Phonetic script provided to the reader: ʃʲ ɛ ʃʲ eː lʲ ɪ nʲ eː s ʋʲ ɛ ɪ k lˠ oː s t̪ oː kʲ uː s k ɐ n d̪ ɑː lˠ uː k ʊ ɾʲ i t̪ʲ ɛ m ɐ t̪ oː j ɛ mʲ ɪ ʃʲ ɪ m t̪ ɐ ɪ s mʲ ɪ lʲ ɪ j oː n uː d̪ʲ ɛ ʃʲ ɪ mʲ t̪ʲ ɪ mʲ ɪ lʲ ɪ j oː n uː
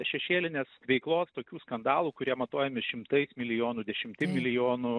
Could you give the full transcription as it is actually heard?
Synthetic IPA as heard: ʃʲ ɛ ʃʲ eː lʲ ɪ nʲ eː s ʋʲ ɛ ɪ k lˠ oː s t̪ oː kʲ uː s k ɐ n d̪ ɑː lˠ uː k ʊ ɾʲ i ɛ m ɐ t̪ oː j ɛ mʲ ɪ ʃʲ ɪ m t̪ ɐ ɪ s mʲ ɪ lʲ ɪ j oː n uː d̪ʲ ɛ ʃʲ ɪ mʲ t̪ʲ ɪ mʲ ɪ lʲ ɪ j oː n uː